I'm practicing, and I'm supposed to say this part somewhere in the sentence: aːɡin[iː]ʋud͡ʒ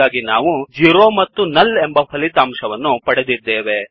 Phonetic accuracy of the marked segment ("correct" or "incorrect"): incorrect